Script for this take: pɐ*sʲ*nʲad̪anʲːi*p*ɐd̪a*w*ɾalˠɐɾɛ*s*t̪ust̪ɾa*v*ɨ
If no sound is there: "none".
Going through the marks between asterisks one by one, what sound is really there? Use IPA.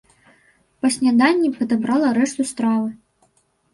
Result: sʲ, p, b, ʂ, v

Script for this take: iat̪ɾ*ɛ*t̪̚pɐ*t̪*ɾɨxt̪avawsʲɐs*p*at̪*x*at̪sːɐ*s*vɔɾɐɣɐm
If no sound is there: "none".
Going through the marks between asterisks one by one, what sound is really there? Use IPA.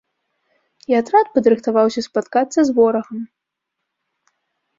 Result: a, d̪, p, k, z

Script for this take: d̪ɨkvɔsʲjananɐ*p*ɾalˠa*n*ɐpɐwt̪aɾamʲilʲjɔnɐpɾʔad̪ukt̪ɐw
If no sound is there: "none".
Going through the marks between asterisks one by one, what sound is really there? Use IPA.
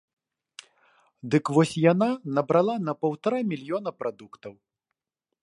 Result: b, n

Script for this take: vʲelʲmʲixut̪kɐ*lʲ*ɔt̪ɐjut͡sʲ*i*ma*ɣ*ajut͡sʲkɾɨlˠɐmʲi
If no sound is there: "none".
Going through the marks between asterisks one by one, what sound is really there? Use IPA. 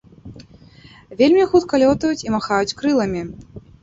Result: lʲ, i, x

